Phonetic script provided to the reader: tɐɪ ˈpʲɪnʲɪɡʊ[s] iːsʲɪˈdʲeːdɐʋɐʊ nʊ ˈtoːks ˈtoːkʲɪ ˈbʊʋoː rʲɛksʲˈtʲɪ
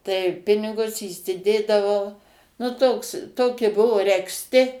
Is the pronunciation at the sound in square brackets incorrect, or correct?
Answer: correct